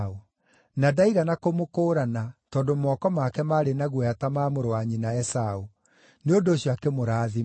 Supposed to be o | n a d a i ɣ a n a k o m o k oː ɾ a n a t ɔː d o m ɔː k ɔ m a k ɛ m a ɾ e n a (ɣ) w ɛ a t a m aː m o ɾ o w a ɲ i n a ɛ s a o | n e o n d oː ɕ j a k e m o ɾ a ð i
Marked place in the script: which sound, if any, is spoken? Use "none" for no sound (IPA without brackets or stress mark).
ɣ